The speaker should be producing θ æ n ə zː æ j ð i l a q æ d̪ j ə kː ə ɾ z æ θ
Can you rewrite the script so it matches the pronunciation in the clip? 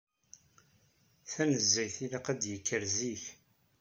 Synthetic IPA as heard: θ æ n ə zː æ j θ i l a q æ d̪ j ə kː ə ɾ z i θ